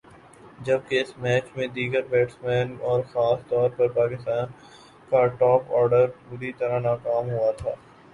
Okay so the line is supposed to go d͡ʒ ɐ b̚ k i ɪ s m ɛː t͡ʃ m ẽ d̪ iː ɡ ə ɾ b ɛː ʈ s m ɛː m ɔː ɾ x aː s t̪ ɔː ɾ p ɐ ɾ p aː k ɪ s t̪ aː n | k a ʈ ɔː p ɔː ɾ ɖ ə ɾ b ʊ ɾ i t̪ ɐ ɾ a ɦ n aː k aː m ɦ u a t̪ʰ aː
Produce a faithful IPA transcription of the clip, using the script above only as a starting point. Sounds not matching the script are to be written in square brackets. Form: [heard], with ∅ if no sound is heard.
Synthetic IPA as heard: d͡ʒ ɐ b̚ k [e] ɪ s m ɛː t͡ʃ m ẽ d̪ iː ɡ ə ɾ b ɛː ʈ s m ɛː [n] ɔː ɾ x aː s t̪ ɔː ɾ p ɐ ɾ p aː k ɪ s t̪ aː n | k a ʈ ɔː p ɔː ɾ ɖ ə ɾ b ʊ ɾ i t̪ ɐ ɾ a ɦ n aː k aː m ɦ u a t̪ʰ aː